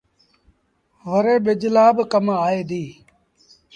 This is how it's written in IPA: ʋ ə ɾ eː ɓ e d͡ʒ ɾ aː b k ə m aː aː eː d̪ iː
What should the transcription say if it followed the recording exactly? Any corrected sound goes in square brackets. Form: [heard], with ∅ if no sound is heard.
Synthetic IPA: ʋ ə ɾ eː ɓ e d͡ʒ [l] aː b k ə m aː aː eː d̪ iː